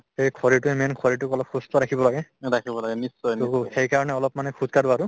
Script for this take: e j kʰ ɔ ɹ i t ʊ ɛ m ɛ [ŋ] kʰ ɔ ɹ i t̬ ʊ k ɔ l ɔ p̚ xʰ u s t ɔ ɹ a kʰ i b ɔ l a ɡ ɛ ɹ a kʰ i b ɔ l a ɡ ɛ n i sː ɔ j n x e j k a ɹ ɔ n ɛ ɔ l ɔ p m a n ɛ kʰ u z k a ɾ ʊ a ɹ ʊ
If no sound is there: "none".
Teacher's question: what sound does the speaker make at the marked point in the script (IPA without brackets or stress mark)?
n